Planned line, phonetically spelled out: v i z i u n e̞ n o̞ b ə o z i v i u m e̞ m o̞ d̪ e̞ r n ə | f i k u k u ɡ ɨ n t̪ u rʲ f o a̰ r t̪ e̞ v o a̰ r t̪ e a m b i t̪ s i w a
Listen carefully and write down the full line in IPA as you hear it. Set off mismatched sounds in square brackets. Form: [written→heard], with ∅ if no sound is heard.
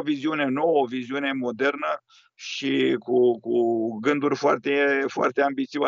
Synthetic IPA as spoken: v i z i u n e̞ n o̞ [b→w] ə o [z→v] i [v→z] i u [m→n] e̞ m o̞ d̪ e̞ r n ə | [f→ʃ] i k u k u ɡ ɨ n [t̪→d̪] u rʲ f o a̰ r t̪ e̞ [v→f] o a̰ r t̪ e a m b i t̪ s i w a